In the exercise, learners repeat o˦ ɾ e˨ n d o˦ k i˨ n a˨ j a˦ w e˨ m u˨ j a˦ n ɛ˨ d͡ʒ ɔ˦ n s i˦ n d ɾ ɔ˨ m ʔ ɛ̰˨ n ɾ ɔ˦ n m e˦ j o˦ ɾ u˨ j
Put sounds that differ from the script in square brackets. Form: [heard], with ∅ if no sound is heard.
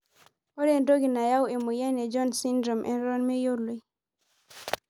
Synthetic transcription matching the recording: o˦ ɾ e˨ n d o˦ [ɡ] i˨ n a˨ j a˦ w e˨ m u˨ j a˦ n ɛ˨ d͡ʒ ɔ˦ n s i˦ n d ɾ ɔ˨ m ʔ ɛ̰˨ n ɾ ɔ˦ n m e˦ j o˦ [l] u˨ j